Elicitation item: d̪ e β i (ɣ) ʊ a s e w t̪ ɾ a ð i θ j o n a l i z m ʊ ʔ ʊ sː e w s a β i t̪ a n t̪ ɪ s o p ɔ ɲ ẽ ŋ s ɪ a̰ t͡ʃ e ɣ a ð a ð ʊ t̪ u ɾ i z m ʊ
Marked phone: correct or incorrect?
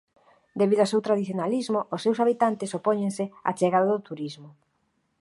incorrect